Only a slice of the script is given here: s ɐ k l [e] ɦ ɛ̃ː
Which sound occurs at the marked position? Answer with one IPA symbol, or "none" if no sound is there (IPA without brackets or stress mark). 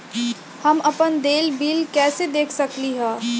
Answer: i